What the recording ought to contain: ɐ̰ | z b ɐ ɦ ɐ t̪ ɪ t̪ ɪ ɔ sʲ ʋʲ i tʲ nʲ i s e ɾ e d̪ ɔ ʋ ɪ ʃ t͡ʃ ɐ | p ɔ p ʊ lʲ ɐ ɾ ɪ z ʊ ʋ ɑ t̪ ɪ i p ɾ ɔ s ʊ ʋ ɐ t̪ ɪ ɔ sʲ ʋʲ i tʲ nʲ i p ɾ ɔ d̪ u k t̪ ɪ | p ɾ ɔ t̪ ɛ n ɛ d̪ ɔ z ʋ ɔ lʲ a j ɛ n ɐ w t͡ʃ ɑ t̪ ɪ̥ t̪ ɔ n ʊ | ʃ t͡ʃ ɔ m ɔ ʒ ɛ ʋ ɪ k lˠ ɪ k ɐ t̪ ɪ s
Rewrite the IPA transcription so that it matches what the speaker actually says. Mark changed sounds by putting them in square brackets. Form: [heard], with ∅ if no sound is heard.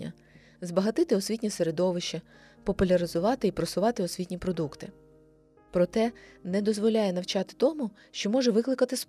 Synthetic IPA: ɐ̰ | z b ɐ ɦ ɐ t̪ ɪ t̪ ɪ ɔ sʲ ʋʲ i tʲ nʲ i s e ɾ e d̪ ɔ ʋ ɪ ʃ t͡ʃ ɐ | p ɔ p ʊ lʲ ɐ ɾ ɪ z ʊ ʋ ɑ t̪ ɪ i p ɾ ɔ s ʊ ʋ [ɑ] t̪ ɪ ɔ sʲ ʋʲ i tʲ nʲ i p ɾ ɔ d̪ u k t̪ ɪ | p ɾ ɔ t̪ ɛ n ɛ d̪ ɔ z ʋ ɔ lʲ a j ɛ n ɐ w t͡ʃ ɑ t̪ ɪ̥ t̪ ɔ [m] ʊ | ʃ t͡ʃ ɔ m ɔ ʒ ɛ ʋ ɪ k lˠ ɪ k ɐ t̪ ɪ s